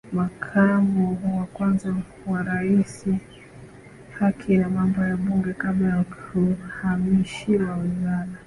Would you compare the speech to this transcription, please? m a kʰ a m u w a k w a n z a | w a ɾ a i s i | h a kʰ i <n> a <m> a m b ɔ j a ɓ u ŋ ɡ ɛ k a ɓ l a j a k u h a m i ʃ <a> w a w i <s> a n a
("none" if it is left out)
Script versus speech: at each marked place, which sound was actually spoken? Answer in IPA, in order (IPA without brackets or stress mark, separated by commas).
n, m, i, z